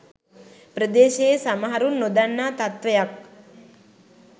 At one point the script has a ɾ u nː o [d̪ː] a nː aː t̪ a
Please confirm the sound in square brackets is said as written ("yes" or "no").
no